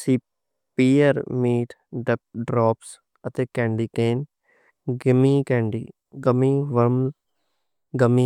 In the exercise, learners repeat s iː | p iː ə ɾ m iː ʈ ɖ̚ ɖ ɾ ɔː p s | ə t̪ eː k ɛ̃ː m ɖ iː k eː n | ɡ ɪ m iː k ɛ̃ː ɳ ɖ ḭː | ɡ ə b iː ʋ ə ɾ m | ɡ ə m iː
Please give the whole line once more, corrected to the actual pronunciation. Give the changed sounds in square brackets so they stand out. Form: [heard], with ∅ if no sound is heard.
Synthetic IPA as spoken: s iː | p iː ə ɾ m iː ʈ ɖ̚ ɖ ɾ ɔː p s | ə t̪ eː k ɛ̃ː [ɳ] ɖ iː k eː n | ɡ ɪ m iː k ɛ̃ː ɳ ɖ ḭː | ɡ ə [m] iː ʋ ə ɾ m | ɡ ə m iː